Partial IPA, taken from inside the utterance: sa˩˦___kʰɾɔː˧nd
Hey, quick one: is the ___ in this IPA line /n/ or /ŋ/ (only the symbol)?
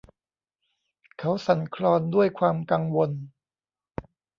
n